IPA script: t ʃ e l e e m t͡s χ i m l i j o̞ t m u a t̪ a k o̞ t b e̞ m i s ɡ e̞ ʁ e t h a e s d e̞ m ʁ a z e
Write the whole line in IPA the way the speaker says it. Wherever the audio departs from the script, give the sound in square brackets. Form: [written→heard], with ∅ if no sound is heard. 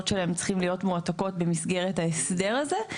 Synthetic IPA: t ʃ e l [e→a] e m t͡s χ i m l i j o̞ t m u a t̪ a k o̞ t b e̞ m i s ɡ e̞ ʁ e t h a e s d e̞ [m→∅] ʁ a z e